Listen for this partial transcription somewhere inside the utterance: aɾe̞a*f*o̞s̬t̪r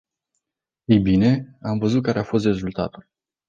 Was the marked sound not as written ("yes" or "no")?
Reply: no